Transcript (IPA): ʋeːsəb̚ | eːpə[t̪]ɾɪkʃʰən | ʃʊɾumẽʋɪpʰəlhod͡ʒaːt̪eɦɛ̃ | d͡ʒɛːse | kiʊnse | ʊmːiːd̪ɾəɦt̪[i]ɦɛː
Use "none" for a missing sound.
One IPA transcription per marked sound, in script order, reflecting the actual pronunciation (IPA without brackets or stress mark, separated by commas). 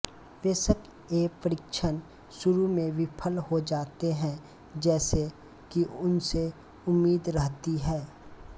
none, i